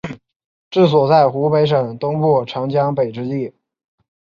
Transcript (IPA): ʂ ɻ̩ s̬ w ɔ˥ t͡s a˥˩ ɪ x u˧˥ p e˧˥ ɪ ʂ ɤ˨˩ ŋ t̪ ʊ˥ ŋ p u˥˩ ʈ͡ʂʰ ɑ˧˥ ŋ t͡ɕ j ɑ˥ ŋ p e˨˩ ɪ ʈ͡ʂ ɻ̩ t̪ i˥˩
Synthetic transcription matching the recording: ʈ͡ʂ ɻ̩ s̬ w ɔ˨˩ t͡s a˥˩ ɪ x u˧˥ p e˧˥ ɪ ʂ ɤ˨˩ ŋ t̪ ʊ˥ ŋ p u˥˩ ʈ͡ʂʰ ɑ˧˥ ŋ t͡ɕ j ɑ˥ ŋ p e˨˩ ɪ ʈ͡ʂ ɻ̩ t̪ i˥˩